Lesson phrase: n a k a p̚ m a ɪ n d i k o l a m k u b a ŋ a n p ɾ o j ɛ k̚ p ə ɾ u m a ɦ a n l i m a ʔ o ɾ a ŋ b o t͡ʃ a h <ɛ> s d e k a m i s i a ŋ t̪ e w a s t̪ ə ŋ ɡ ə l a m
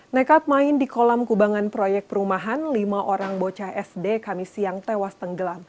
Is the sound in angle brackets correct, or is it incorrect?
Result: correct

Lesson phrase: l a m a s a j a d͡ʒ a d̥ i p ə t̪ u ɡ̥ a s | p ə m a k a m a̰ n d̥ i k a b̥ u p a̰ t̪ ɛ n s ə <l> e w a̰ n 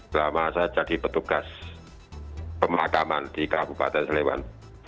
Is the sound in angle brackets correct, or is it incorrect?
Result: correct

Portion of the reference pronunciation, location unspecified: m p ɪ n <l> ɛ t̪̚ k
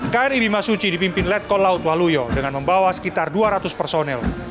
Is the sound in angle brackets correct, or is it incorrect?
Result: correct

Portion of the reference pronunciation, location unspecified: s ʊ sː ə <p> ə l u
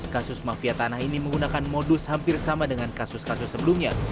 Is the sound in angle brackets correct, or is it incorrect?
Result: incorrect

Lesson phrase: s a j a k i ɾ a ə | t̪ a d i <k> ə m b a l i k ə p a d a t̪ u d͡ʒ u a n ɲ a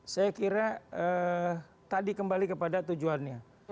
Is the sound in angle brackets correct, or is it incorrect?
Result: correct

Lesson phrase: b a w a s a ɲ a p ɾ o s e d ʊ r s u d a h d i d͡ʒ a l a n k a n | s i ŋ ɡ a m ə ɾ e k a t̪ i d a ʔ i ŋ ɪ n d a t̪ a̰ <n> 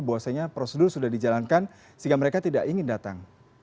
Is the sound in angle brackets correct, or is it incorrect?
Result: incorrect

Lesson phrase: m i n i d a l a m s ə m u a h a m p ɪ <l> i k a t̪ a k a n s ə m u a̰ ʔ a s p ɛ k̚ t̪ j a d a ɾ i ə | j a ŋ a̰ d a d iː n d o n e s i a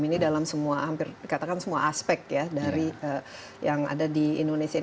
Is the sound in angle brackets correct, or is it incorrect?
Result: incorrect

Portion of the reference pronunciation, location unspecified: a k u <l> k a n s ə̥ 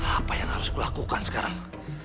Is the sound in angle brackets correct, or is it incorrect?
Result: incorrect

